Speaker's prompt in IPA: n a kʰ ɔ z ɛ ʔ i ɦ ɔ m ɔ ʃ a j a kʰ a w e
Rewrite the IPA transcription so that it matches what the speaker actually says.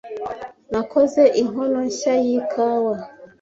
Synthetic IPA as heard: n a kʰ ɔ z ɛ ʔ i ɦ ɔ n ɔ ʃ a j i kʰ a w a